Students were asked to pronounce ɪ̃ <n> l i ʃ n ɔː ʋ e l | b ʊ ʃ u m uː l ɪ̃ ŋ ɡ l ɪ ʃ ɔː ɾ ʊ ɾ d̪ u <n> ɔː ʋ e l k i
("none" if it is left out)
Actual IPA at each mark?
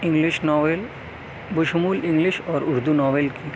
ŋ, n

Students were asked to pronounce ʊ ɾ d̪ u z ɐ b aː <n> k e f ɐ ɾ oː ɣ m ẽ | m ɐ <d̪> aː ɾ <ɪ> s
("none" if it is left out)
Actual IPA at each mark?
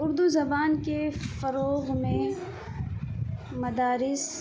n, d̪, ɪ

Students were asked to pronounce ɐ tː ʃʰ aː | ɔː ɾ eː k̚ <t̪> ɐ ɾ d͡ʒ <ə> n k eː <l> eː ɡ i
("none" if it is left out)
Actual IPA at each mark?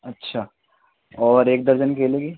d̪, ə, l

